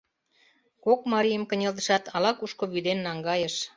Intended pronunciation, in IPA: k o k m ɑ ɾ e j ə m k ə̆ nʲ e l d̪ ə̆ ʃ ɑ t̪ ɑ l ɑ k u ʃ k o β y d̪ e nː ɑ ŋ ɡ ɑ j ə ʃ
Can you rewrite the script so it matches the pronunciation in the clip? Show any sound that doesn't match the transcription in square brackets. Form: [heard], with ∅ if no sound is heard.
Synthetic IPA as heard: k o k m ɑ ɾ [i] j ə m k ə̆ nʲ e l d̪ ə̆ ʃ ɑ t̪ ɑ l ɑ k u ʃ k o β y d̪ e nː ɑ ŋ ɡ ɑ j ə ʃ

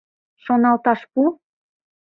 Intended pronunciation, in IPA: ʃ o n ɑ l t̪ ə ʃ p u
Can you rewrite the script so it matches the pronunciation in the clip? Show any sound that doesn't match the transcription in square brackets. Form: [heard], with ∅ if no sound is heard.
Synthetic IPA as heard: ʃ o n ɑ l t̪ [ɑ] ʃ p u

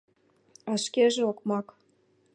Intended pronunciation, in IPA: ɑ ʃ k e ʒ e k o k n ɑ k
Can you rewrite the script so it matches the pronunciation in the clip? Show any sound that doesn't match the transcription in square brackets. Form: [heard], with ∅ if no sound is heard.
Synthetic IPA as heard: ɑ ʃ k e ʒ e [∅] o k [m] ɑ k

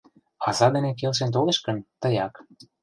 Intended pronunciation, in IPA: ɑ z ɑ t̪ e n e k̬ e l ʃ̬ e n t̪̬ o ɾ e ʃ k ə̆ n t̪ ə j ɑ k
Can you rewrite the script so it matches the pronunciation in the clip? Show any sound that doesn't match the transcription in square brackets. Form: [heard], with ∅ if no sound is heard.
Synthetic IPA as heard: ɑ z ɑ [d̪] e n e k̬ e l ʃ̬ e n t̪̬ o [l] e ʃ k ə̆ n t̪ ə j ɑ k

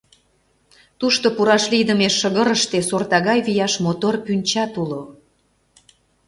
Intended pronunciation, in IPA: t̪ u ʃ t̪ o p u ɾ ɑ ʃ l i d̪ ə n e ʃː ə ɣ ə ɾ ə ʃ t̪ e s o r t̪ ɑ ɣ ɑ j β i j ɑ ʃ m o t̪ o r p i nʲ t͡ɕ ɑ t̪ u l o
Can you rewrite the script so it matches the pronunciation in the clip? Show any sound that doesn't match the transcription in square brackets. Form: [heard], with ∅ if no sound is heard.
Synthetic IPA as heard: t̪ u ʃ t̪ o p u ɾ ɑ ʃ l i d̪ ə [m] e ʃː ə ɣ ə ɾ ə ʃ t̪ e s o r t̪ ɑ ɣ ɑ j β i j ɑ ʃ m o t̪ o r p [y] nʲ t͡ɕ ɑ t̪ u l o

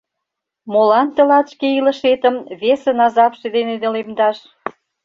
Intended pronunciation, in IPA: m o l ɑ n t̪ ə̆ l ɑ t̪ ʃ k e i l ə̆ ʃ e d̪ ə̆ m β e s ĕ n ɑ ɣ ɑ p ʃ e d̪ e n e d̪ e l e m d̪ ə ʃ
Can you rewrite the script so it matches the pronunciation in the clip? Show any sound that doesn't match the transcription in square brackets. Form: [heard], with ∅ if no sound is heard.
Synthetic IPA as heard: m o l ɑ n t̪ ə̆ l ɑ t̪ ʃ k e i l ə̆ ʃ e [t̪] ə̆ m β e s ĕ n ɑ [z] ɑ p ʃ e d̪ e n e d̪ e l e m d̪ [ɑ] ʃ

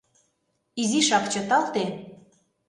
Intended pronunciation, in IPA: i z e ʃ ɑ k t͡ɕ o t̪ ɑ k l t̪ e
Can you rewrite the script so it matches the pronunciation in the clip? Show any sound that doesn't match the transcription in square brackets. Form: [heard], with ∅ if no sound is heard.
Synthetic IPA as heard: i z [i] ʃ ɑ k t͡ɕ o t̪ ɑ [∅] l t̪ e

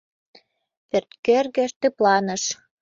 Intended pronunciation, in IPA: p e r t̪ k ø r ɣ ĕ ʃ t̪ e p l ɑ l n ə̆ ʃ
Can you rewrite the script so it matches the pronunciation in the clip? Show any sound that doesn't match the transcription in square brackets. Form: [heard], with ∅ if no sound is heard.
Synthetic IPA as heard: p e r t̪ k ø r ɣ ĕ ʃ t̪ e p l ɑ [∅] n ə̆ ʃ

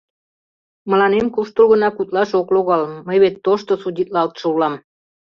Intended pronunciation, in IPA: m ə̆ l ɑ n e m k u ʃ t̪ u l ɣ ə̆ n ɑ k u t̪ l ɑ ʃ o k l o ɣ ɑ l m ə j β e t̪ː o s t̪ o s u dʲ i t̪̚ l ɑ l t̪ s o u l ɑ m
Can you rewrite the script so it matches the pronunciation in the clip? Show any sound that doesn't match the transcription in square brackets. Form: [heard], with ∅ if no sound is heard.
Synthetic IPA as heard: m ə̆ l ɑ n e m k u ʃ t̪ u l ɣ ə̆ n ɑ k u t̪ l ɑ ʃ o k l o ɣ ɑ l m ə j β e t̪ː o [ʃ] t̪ o s u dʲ i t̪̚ l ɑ l t̪ [ʃ] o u l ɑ m

